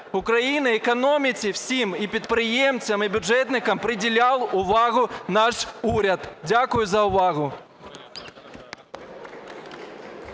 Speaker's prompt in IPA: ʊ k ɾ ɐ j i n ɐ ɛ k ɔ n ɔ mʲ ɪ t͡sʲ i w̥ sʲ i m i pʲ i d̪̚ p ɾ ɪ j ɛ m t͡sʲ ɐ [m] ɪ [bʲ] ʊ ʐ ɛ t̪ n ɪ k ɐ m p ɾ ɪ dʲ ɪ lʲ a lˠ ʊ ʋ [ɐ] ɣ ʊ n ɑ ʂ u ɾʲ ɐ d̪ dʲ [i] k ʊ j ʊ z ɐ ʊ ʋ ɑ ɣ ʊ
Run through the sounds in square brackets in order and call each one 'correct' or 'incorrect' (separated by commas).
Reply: correct, correct, incorrect, incorrect